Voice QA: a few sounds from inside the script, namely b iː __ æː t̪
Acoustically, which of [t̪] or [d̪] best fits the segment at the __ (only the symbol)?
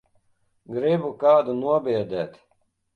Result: d̪